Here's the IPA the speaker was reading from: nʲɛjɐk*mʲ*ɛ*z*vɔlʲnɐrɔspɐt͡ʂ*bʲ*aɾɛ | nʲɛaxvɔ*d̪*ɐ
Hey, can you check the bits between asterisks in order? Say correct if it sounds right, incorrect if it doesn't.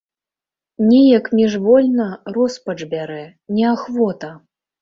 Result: correct, incorrect, correct, incorrect

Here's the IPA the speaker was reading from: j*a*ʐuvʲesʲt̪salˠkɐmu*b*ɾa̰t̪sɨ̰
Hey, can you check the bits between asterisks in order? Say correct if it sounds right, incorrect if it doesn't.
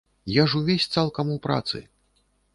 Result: correct, incorrect

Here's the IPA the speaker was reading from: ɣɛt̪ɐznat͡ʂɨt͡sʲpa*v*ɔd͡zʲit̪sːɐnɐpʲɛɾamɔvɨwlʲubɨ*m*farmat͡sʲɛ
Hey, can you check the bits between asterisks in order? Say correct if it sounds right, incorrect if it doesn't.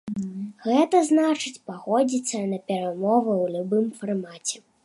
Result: incorrect, correct

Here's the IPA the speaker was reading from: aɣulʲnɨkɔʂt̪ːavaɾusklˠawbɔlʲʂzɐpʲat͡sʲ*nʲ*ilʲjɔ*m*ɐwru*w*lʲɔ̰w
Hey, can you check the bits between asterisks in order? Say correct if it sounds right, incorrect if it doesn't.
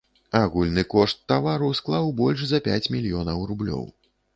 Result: incorrect, incorrect, incorrect

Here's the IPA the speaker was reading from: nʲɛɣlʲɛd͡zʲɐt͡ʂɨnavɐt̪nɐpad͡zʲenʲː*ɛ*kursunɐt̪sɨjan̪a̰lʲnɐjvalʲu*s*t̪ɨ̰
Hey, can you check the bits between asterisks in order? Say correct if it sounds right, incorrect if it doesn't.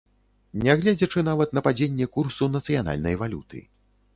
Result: correct, incorrect

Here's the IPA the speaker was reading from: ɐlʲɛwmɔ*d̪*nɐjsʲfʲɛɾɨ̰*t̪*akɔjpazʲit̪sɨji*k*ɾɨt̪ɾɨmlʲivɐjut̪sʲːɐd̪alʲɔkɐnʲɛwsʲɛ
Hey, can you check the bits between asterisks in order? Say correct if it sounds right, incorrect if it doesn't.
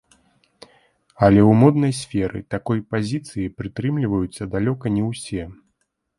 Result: correct, correct, incorrect

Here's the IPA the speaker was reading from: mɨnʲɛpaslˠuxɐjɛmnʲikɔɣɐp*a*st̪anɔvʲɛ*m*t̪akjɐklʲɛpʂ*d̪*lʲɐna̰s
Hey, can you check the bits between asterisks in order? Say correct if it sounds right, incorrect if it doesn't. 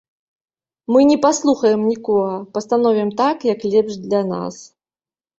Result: incorrect, correct, correct

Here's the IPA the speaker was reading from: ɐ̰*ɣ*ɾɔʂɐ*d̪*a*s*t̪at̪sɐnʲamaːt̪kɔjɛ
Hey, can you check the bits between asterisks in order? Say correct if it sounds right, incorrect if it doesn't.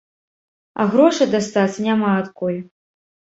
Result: correct, correct, correct

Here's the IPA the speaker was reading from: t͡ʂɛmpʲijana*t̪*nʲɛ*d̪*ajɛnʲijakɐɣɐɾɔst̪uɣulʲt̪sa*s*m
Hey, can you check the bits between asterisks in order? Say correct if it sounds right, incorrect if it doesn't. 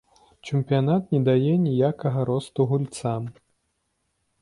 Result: correct, correct, incorrect

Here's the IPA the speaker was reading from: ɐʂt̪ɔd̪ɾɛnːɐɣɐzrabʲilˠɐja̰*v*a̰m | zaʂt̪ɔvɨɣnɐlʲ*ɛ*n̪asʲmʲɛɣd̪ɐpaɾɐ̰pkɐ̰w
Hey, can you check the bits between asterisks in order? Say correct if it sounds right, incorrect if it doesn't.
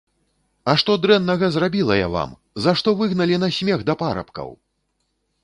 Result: correct, incorrect

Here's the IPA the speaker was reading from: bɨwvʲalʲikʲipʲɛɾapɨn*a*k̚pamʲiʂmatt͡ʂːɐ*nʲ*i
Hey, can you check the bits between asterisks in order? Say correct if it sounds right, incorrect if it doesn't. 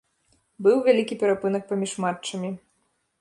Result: incorrect, incorrect

